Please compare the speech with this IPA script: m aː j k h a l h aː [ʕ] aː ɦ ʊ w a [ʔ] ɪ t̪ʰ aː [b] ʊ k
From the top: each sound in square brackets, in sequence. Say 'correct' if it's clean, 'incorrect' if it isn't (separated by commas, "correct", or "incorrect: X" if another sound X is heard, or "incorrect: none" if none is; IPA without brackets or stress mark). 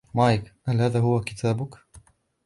incorrect: ð, incorrect: k, correct